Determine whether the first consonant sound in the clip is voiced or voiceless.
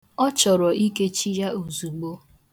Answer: voiceless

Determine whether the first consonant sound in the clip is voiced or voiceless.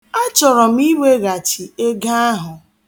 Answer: voiceless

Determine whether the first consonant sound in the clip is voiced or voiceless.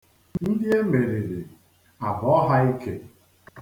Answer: voiced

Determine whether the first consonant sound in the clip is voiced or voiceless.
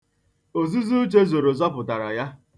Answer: voiced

